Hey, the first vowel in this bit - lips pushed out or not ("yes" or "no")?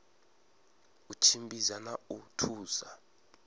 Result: yes